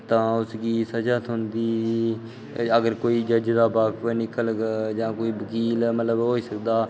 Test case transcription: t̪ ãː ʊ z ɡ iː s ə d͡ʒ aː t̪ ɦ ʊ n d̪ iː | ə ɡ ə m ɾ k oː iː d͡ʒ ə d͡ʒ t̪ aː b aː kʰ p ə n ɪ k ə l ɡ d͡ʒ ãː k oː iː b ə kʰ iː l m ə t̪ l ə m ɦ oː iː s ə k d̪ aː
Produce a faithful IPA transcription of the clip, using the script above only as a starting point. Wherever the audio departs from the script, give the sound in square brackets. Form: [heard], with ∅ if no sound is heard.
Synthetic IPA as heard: t̪ ãː ʊ [s] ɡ iː s ə d͡ʒ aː t̪ ɦ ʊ n d̪ iː | ə ɡ ə [∅] ɾ k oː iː d͡ʒ ə d͡ʒ [d̪] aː b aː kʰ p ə n ɪ k ə l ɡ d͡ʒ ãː k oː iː b ə [k] iː l m ə t̪ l ə [b] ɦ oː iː s ə k d̪ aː

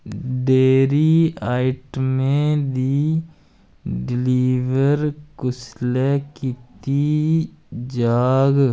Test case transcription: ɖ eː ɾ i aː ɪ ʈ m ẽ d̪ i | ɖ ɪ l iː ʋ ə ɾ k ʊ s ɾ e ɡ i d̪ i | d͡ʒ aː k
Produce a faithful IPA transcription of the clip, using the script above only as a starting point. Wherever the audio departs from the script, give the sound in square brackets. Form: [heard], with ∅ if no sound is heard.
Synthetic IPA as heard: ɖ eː ɾ i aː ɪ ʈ m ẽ d̪ i | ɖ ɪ l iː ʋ ə ɾ k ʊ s [l] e [k] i [t̪] i | d͡ʒ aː [ɡ]

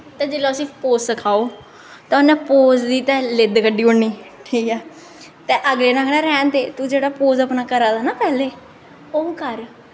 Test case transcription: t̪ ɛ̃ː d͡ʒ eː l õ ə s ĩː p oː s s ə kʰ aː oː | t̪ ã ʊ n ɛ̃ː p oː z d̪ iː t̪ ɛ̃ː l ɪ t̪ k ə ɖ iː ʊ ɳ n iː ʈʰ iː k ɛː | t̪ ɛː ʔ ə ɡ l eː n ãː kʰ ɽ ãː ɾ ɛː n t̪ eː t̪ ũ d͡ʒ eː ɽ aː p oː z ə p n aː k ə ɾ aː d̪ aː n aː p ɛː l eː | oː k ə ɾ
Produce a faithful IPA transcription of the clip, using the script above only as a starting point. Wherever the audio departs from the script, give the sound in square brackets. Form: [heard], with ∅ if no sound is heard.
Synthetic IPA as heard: t̪ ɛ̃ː d͡ʒ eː l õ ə s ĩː p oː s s ə kʰ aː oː | t̪ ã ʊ n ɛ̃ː p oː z d̪ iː t̪ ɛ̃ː l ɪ [d̪] k ə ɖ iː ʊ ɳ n iː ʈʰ iː k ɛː | t̪ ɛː ʔ ə ɡ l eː n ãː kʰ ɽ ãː ɾ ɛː n t̪ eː t̪ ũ d͡ʒ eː ɽ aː p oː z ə p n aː k ə ɾ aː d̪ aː n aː p ɛː l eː | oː k ə ɾ

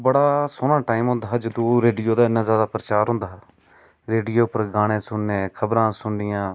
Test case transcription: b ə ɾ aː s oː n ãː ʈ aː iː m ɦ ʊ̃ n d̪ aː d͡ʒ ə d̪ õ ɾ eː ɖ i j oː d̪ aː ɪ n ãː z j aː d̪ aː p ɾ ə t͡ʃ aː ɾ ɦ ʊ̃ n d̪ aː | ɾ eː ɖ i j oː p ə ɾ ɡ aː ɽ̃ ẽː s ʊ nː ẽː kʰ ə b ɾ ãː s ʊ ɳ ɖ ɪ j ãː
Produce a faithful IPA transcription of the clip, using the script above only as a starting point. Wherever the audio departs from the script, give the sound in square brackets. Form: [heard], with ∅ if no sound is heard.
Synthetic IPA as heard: b ə [ɽ] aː s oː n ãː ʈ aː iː m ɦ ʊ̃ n d̪ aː d͡ʒ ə d̪ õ ɾ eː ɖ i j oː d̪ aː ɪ n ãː z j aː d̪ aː p ɾ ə t͡ʃ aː ɾ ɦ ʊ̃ n d̪ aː | ɾ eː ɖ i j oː p ə ɾ ɡ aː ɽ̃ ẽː s ʊ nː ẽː kʰ ə b ɾ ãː s ʊ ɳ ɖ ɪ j ãː

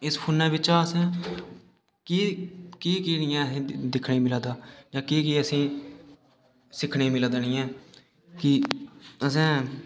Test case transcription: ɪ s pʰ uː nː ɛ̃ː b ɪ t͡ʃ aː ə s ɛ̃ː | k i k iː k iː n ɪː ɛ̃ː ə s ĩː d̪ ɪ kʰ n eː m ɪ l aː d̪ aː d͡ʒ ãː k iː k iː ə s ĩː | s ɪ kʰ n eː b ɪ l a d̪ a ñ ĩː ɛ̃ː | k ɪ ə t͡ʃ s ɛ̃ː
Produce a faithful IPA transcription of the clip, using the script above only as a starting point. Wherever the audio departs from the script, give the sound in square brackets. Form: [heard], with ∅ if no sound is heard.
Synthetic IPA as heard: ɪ s pʰ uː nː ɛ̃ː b ɪ t͡ʃ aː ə s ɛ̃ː | k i k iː k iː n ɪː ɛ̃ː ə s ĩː d̪ ɪ kʰ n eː m ɪ l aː d̪ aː d͡ʒ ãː k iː k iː ə s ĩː | s ɪ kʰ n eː [m] ɪ l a d̪ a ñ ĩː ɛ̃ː | k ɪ ə [∅] s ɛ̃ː

